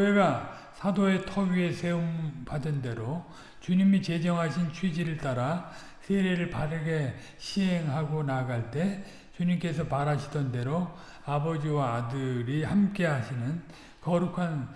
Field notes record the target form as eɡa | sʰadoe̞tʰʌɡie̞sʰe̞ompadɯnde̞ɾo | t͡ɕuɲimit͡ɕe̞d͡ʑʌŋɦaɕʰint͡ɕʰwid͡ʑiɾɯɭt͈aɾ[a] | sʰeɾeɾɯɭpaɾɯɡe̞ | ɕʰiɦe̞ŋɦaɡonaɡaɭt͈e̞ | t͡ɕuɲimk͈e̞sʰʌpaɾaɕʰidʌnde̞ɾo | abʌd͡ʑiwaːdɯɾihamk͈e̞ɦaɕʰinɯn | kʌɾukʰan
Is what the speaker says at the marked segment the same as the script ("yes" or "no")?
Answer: yes